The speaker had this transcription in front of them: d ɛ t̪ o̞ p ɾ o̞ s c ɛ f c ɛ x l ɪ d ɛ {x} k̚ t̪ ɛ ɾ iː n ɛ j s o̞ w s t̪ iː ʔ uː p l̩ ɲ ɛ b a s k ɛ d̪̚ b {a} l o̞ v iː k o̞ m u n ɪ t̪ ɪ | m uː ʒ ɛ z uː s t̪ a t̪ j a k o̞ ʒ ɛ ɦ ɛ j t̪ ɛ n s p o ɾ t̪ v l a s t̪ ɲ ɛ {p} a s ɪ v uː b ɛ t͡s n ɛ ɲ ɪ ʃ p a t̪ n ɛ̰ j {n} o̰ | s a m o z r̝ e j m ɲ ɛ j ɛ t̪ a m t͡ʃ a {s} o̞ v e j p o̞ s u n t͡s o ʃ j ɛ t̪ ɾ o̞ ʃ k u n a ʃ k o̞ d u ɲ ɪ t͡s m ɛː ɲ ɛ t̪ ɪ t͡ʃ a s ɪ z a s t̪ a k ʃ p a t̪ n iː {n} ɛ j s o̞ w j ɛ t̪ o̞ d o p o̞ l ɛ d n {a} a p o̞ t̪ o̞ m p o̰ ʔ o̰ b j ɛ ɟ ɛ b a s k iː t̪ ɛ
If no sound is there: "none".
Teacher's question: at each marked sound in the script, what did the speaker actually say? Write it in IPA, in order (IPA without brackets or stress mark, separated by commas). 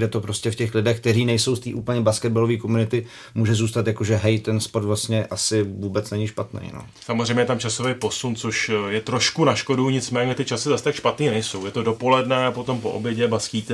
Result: x, a, ʔ, n, s, n, ɛ